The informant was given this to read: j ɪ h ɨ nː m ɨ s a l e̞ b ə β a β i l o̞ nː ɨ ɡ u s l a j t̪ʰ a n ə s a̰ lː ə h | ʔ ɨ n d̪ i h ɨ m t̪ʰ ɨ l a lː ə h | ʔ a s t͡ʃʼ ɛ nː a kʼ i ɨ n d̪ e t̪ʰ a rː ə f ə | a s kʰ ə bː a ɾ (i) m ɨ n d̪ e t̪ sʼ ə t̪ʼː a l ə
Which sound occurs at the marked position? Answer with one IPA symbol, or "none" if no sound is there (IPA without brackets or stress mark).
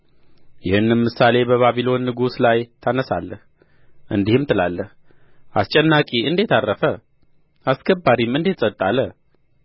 i